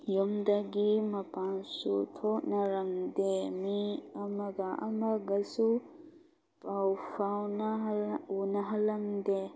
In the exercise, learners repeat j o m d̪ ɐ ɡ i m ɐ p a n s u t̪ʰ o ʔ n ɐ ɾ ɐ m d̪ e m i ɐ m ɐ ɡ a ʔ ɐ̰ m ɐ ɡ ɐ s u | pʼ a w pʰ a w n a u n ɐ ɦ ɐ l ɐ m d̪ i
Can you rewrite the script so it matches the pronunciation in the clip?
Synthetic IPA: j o m d̪ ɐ ɡ i m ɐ p a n s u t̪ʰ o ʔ n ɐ ɾ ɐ m d̪ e m i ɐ m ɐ ɡ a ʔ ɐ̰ m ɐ ɡ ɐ s u | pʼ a w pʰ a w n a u n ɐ ɦ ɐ l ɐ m d̪ e